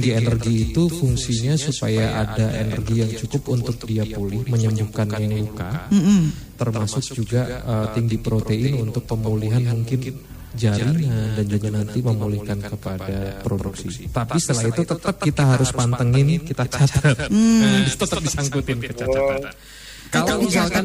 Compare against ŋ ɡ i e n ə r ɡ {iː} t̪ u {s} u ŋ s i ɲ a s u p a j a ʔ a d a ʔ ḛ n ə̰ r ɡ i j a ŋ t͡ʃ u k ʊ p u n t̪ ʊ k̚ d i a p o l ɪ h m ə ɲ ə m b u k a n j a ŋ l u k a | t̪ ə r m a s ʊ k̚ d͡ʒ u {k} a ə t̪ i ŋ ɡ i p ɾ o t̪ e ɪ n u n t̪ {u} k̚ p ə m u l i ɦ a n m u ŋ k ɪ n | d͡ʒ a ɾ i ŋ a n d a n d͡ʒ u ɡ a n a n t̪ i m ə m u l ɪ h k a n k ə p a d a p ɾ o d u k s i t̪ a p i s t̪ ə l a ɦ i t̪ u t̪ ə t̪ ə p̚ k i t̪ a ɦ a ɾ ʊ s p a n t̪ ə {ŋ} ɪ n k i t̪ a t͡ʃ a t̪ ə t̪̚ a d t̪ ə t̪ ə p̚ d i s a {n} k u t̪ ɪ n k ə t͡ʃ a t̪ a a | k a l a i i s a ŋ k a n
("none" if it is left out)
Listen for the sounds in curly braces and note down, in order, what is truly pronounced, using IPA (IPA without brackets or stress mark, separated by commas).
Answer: iː, f, ɡ, ʊ, ŋ, ŋ